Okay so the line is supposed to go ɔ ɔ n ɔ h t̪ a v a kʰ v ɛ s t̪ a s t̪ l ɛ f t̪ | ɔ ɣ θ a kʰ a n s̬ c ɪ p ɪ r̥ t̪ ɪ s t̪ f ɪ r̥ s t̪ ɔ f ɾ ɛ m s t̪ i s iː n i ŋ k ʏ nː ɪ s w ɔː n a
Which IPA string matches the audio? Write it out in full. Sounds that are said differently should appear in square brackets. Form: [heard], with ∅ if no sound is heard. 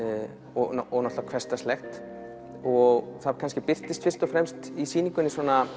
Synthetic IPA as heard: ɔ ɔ n ɔ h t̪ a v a kʰ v ɛ s t̪ a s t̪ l ɛ [x] t̪ | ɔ ɣ θ a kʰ a n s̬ c ɪ p ɪ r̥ t̪ ɪ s t̪ f ɪ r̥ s t̪ ɔ f ɾ ɛ m s t̪ i s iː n i ŋ k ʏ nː ɪ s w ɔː n a